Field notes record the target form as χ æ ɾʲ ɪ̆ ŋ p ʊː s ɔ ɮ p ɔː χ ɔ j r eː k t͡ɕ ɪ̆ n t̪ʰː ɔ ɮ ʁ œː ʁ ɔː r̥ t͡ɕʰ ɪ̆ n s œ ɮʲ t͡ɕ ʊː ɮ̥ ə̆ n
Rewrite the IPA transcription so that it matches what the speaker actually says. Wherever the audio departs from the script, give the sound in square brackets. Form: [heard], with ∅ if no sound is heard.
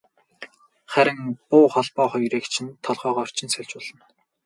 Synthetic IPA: χ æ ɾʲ ɪ̆ ŋ p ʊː [χ] ɔ ɮ p ɔː χ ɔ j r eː k [t͡ɕʰ] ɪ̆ n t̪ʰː ɔ ɮ ʁ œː ʁ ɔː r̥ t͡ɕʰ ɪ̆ n s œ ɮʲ t͡ɕ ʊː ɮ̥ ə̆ n